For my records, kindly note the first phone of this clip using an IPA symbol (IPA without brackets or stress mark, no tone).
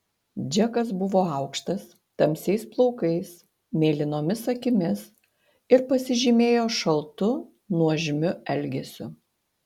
d͡ʒʲ